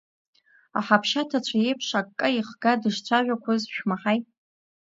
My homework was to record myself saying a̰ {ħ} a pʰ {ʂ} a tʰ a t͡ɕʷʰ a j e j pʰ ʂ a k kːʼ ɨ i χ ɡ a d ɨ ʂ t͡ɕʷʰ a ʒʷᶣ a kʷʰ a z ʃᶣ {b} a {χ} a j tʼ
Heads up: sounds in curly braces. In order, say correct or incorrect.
correct, incorrect: ʃ, incorrect: m, incorrect: ħ

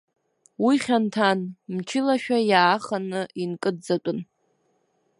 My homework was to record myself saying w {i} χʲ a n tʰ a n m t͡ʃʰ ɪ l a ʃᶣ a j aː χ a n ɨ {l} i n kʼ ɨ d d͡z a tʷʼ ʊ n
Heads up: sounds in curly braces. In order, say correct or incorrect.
correct, incorrect: none

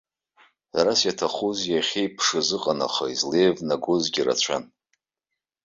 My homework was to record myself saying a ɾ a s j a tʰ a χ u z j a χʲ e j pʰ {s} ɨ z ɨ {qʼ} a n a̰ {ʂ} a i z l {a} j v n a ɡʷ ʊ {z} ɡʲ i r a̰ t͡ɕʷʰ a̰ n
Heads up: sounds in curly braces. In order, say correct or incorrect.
incorrect: ʂ, correct, incorrect: χ, incorrect: e, correct

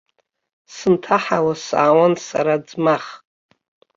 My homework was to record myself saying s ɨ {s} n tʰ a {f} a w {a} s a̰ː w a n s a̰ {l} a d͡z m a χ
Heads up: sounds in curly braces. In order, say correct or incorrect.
incorrect: none, incorrect: ħ, correct, incorrect: ɾ

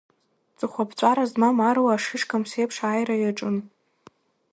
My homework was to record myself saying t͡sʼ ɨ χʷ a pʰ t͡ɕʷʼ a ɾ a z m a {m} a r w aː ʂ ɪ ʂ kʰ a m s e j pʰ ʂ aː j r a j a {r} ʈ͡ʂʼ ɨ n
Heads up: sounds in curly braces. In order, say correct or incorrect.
correct, incorrect: none

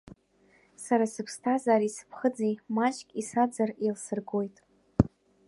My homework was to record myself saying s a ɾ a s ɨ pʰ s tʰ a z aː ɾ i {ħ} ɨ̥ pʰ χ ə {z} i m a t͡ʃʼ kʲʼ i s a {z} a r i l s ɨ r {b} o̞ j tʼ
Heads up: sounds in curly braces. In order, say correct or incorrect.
incorrect: s, incorrect: d͡z, incorrect: d͡z, incorrect: ɡ

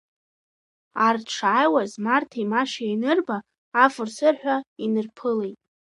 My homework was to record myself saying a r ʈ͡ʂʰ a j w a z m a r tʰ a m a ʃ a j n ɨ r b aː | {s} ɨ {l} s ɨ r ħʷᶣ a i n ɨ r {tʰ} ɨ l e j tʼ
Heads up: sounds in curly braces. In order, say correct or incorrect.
incorrect: f, incorrect: r, incorrect: pʰ

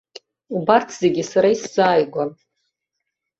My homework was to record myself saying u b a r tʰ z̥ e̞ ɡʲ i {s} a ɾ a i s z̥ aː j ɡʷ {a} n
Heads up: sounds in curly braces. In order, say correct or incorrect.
correct, correct

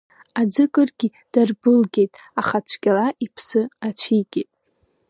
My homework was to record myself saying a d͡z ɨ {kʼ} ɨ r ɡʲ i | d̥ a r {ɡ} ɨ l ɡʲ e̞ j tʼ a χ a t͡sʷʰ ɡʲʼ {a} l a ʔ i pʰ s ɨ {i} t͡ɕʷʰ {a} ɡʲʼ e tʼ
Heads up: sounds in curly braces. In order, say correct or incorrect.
correct, incorrect: b, correct, incorrect: a, incorrect: i

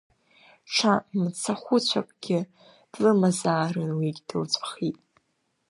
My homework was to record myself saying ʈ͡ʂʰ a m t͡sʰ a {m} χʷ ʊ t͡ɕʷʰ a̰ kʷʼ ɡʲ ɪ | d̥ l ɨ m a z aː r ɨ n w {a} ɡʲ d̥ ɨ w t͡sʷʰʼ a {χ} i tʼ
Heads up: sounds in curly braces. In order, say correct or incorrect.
incorrect: none, incorrect: i, correct

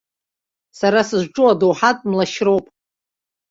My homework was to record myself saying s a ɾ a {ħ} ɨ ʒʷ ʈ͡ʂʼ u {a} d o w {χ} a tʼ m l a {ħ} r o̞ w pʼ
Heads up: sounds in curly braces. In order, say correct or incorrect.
incorrect: s, correct, incorrect: ħ, incorrect: ʃ

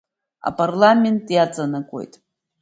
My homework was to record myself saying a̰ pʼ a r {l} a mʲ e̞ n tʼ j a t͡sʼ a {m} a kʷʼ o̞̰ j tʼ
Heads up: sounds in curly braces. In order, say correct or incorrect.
correct, incorrect: n

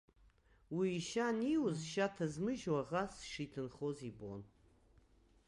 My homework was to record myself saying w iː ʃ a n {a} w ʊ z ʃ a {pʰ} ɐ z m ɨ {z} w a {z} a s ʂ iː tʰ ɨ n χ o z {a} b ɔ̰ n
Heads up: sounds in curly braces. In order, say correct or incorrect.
incorrect: i, incorrect: tʰ, incorrect: ʒ, incorrect: ʁ, incorrect: i

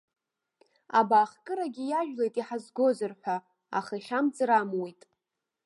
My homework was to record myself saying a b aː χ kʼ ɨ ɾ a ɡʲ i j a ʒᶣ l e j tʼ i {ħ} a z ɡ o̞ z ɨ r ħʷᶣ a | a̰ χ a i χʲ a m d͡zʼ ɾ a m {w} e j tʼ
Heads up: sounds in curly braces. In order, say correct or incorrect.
correct, correct

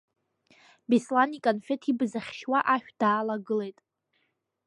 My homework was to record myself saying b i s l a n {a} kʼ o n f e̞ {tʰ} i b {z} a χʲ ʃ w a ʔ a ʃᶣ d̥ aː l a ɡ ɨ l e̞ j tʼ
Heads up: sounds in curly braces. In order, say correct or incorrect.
incorrect: i, correct, correct

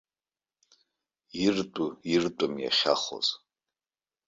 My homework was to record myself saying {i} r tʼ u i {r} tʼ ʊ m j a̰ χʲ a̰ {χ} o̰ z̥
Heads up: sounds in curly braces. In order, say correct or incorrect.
correct, correct, correct

